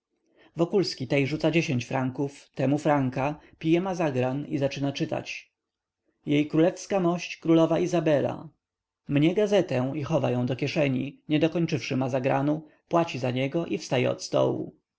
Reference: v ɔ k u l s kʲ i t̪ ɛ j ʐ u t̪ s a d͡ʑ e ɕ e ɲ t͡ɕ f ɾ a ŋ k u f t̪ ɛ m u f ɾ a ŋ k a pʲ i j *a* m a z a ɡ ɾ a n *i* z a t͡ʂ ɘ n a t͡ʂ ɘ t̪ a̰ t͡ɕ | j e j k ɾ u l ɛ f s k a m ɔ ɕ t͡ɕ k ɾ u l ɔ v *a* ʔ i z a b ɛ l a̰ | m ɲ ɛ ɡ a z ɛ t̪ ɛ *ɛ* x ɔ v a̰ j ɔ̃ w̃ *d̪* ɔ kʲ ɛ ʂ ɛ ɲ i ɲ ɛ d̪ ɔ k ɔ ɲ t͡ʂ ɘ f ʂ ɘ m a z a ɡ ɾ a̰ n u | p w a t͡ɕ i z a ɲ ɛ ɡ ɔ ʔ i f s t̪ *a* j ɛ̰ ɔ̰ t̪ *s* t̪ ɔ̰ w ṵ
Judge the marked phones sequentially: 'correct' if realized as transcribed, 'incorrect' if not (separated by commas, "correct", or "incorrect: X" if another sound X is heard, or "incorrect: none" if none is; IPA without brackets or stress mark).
incorrect: ɛ, correct, correct, incorrect: i, correct, correct, correct